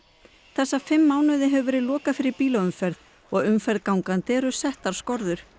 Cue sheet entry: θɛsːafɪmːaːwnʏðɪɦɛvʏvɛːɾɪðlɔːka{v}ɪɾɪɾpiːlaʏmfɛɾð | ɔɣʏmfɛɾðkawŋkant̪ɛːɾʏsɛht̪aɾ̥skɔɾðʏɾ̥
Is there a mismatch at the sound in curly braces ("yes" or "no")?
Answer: yes